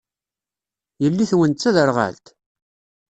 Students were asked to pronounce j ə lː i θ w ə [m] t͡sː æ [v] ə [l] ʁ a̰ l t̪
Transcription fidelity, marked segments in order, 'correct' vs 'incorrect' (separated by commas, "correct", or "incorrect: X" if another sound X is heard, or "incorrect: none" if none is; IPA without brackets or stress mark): incorrect: n, incorrect: ð, incorrect: ɾ